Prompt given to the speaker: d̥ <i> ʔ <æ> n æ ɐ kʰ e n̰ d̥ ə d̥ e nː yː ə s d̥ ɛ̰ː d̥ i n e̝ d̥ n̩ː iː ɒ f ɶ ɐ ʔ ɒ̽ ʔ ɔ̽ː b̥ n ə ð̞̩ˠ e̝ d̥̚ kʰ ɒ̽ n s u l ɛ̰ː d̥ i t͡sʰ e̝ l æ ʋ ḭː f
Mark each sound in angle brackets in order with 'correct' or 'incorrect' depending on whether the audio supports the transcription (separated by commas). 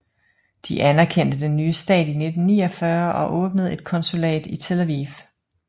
correct, correct